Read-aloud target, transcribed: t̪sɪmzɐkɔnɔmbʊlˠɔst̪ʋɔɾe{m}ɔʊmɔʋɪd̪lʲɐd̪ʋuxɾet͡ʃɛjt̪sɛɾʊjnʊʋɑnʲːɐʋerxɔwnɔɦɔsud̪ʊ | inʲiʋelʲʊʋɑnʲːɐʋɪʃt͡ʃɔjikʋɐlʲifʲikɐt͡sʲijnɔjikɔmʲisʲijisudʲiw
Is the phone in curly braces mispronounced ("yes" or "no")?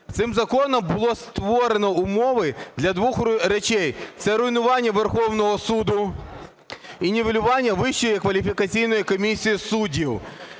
yes